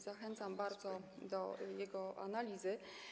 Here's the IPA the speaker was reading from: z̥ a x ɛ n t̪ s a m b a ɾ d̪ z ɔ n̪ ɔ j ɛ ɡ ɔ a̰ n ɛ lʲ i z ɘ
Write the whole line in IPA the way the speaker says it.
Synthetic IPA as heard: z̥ a x ɛ n t̪ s a m b a ɾ d̪ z ɔ d̪ ɔ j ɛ ɡ ɔ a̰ n a lʲ i z ɘ